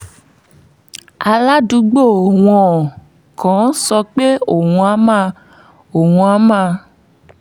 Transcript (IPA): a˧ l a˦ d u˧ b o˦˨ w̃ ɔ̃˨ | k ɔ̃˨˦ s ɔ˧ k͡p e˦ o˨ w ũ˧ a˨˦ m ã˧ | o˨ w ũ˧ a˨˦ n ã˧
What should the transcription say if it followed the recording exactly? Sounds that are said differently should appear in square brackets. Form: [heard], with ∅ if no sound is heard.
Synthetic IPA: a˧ l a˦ d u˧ [ɡ͡b] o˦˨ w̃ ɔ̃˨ | k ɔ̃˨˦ s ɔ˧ k͡p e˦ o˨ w ũ˧ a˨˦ m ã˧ | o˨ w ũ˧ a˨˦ [m] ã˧